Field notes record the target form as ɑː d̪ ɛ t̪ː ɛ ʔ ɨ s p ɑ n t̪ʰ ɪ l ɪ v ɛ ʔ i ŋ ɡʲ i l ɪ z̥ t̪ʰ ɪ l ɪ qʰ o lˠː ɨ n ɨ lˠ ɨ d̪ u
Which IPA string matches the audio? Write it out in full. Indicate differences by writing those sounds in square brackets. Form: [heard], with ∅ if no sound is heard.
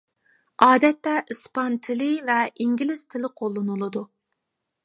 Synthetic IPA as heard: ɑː d̪ ɛ t̪ː ɛ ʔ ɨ s p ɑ n t̪ʰ ɪ l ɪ v ɛ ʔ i ŋ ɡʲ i l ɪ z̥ t̪ʰ ɪ l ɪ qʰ o lˠː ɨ n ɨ lˠ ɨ d̪ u